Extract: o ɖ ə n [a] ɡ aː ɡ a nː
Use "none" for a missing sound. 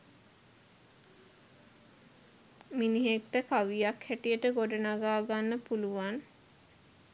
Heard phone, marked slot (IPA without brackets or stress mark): a